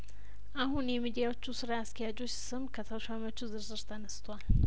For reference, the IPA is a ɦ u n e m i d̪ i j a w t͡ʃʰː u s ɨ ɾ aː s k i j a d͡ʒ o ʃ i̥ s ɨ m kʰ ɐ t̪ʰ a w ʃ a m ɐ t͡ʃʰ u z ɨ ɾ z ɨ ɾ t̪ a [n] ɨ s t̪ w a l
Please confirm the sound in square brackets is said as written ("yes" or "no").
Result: yes